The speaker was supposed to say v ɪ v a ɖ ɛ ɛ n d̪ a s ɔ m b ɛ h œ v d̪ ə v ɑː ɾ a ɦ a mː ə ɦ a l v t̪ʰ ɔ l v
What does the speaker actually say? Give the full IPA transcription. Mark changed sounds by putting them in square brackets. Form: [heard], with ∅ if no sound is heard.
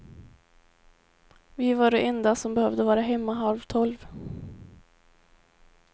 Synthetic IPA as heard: v ɪ v a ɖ ɛ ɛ n d̪ a s ɔ m b ɛ h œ v d̪ ə v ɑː ɾ a ɦ [ɛ] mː [a] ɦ a l v t̪ʰ ɔ l v